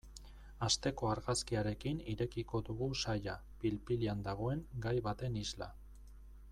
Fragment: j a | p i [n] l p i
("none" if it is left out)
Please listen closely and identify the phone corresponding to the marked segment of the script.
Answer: none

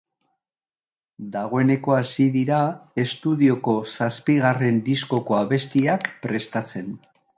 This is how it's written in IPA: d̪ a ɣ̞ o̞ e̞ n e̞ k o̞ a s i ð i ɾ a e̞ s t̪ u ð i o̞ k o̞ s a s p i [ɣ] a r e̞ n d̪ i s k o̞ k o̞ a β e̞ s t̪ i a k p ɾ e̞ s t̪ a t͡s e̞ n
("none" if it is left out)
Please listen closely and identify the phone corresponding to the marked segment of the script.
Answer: ɣ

